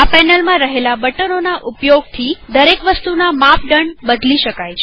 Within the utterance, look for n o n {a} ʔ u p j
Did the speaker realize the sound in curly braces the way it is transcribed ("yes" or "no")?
yes